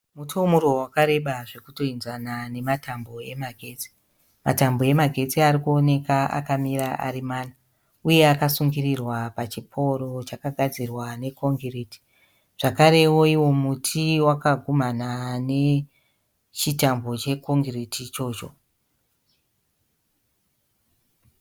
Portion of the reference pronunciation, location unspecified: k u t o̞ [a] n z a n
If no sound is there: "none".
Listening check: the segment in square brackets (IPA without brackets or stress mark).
i